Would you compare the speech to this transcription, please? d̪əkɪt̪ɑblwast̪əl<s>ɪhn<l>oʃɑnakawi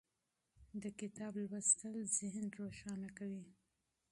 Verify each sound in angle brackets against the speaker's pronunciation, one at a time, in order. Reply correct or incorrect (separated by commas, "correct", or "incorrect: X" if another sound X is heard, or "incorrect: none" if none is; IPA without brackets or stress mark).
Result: incorrect: z, incorrect: ɾ